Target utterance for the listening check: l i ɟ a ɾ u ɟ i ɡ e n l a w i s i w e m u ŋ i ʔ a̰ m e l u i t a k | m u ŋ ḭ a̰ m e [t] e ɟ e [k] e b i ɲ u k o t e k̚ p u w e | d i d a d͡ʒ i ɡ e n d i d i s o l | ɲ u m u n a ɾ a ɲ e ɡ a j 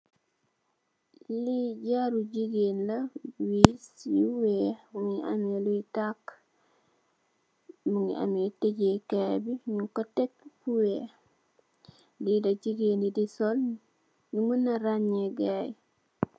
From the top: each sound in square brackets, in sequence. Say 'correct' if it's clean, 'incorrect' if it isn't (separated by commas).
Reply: correct, correct